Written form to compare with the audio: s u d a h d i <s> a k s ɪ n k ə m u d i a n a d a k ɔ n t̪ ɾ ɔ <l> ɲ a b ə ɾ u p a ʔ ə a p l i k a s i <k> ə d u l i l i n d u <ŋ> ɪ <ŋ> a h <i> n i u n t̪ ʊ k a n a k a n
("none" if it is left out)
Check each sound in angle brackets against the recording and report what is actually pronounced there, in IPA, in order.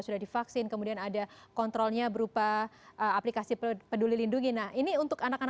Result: f, l, p, ŋ, n, i

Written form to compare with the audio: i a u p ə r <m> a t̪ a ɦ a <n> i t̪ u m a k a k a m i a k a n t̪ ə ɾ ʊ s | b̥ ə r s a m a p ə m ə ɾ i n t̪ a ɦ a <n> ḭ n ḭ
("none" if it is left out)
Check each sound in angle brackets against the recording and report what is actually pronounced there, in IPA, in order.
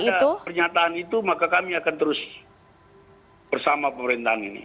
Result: ɲ, n, n

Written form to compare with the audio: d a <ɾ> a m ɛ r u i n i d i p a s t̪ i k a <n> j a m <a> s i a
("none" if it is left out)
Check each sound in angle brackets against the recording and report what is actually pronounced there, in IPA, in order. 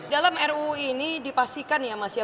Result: l, n, a

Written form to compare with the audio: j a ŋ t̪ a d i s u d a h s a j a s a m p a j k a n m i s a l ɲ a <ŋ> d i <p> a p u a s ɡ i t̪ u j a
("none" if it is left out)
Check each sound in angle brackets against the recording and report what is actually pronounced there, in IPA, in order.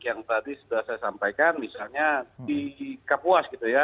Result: none, k

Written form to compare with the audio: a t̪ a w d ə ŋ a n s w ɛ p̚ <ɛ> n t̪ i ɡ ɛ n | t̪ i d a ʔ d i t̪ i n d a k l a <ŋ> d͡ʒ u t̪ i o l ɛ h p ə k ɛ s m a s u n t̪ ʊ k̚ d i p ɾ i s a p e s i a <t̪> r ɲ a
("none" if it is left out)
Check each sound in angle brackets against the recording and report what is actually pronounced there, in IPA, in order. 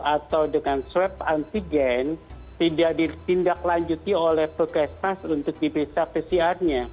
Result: a, ɲ, none

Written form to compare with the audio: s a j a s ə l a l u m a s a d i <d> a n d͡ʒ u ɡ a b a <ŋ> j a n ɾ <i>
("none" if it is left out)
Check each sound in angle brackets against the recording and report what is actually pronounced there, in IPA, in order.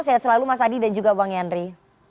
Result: d, ŋ, i

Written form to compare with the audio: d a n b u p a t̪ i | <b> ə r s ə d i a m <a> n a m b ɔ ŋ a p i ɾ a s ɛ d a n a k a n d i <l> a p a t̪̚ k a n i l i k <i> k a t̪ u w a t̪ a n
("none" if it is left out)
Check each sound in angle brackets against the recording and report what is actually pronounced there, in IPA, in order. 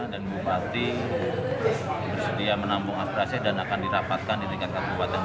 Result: b, ə, ɾ, a

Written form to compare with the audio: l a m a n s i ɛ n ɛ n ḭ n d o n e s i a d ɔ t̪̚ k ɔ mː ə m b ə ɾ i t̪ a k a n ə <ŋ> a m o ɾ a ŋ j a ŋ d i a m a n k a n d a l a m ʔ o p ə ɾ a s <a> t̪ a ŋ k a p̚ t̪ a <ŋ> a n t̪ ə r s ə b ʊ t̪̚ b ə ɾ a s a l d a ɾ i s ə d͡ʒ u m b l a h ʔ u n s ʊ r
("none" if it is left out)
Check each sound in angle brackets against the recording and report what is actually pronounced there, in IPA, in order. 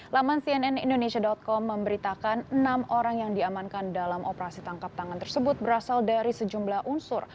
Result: n, i, ŋ

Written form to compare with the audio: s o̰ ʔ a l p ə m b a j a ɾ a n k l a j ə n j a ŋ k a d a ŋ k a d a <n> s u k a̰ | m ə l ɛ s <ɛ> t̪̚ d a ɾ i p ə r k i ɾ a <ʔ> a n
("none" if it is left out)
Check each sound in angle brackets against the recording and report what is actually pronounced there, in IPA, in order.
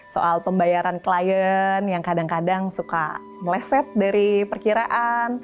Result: ŋ, ɛ, ʔ

